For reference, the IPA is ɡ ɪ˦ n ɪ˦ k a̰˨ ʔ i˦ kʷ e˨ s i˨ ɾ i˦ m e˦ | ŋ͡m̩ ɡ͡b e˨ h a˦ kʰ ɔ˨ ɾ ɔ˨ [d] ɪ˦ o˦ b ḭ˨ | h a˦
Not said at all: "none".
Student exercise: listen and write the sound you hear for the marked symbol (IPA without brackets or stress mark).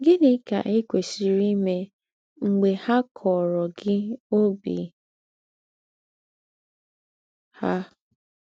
ɡ